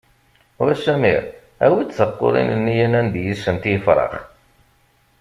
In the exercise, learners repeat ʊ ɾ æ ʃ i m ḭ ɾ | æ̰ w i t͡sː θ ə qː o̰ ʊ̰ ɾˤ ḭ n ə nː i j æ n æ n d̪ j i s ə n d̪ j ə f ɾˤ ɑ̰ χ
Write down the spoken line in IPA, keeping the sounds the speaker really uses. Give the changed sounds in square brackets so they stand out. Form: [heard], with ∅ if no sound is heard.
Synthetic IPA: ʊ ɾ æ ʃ [æ] m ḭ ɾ | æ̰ w i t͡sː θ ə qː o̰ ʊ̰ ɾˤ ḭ n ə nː i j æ n æ n d̪ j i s ə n [t̪] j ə f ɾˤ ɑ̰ χ